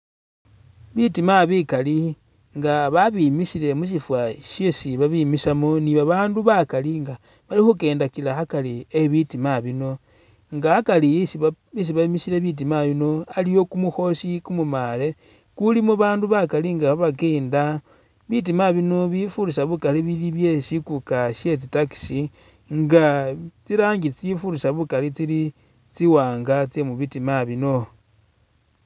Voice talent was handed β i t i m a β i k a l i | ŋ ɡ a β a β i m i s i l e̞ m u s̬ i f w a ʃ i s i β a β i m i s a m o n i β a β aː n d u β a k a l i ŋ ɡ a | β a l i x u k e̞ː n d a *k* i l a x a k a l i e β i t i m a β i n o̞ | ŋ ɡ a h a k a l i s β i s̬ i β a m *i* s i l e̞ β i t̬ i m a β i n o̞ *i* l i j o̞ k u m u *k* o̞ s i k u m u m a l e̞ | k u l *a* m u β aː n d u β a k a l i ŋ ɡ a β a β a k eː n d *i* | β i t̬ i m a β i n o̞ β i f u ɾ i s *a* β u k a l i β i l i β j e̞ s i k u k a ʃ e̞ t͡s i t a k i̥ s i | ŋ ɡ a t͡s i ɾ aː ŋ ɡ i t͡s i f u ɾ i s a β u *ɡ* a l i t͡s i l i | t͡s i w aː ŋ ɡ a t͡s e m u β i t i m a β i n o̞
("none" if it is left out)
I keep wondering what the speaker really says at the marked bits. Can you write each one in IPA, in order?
k, i, a, x, i, a, a, k

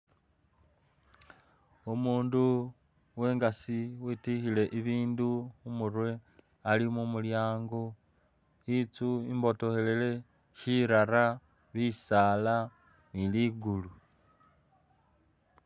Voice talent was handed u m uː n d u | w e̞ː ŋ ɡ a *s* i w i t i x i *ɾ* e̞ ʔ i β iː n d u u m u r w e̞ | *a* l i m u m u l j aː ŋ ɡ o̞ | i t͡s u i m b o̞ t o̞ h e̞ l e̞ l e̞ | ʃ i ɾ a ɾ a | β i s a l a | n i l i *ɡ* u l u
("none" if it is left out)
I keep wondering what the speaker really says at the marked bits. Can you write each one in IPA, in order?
s, l, a, ɡ

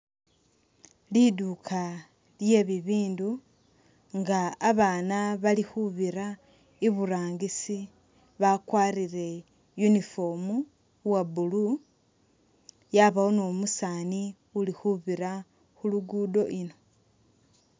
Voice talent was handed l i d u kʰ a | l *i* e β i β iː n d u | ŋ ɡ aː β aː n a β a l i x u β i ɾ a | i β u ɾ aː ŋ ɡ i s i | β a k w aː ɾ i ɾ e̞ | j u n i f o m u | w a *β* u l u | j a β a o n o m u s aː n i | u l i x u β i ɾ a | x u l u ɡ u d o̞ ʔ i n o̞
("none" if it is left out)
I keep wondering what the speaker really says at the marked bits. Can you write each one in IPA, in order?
j, b

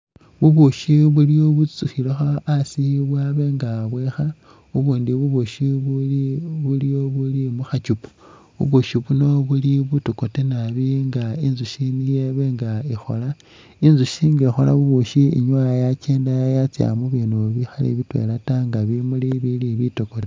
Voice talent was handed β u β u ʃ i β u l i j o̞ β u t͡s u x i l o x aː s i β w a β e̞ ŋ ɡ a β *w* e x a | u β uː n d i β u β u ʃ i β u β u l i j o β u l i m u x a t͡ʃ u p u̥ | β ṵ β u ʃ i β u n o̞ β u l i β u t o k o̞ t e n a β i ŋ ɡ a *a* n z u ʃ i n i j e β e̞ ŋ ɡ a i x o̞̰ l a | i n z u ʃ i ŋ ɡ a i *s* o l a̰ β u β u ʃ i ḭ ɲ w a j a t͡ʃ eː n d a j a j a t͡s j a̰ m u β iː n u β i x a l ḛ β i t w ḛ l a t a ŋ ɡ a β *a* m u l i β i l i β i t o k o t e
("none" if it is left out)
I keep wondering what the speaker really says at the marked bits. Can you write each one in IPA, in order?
w, i, x, i

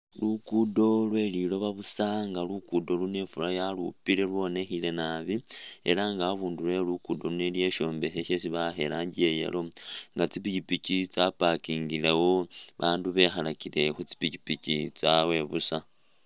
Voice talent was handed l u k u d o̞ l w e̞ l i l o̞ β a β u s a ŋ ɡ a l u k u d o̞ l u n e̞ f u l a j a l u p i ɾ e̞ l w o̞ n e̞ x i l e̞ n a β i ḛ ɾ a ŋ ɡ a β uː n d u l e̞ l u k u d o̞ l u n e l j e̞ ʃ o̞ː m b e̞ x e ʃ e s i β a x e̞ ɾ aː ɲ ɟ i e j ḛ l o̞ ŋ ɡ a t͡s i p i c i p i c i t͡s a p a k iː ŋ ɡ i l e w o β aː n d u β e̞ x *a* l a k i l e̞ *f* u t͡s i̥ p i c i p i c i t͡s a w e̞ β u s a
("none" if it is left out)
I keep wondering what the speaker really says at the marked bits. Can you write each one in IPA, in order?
a, x

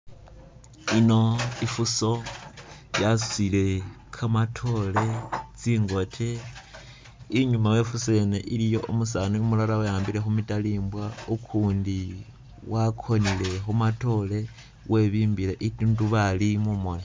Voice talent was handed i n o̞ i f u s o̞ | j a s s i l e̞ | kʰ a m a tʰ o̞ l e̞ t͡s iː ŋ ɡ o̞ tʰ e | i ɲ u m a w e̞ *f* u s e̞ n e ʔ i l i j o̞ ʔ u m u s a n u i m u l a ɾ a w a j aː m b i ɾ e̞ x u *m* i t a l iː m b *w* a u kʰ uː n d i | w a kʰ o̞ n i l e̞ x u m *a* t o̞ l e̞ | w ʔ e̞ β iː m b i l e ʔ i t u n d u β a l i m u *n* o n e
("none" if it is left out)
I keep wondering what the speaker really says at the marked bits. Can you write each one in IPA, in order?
f, m, w, a, m

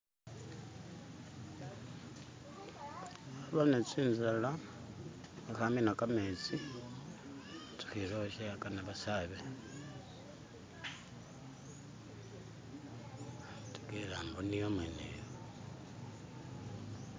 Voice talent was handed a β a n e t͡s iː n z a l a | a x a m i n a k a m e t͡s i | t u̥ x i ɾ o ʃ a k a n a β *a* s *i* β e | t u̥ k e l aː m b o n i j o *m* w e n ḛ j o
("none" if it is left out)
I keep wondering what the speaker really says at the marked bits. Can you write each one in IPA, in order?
a, a, m

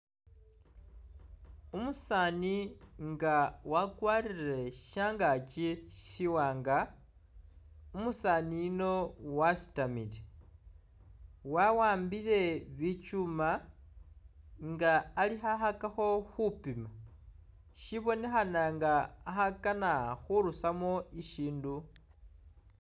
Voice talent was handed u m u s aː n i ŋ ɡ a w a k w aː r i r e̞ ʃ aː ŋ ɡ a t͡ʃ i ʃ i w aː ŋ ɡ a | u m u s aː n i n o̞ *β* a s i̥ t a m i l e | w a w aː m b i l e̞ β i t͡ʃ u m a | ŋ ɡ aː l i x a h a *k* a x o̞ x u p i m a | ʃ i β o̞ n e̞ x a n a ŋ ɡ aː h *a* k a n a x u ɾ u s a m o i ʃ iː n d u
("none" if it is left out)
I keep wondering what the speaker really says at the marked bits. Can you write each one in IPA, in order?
w, k, a

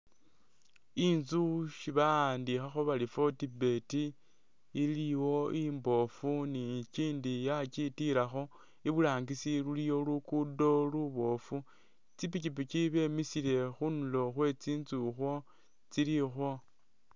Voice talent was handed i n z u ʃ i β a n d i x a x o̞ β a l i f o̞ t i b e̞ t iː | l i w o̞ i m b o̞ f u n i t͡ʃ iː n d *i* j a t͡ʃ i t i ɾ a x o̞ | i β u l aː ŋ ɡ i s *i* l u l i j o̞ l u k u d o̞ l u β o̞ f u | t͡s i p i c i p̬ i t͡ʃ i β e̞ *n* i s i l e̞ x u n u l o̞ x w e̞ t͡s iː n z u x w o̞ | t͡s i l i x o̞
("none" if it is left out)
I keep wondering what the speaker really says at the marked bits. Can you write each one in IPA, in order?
i, i, m

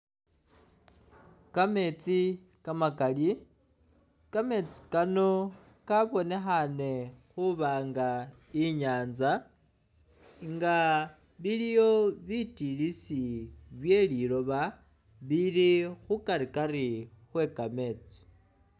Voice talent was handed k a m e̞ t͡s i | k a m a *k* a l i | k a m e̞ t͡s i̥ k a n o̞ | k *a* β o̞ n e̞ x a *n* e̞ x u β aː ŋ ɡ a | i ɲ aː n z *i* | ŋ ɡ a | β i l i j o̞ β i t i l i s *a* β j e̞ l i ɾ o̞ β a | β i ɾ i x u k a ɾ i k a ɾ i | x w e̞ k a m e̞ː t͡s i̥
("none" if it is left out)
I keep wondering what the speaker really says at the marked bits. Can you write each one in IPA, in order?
k, a, n, a, i

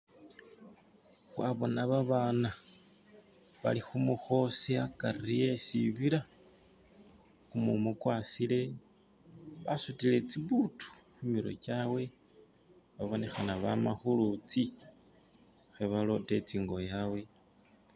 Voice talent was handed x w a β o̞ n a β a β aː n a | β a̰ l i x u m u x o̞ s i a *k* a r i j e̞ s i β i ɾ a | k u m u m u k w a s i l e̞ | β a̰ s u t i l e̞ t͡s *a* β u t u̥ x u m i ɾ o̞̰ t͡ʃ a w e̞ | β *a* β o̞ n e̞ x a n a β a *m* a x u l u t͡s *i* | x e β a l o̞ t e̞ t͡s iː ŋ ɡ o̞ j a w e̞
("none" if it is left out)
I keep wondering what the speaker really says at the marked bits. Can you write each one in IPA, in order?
k, i, a, m, i

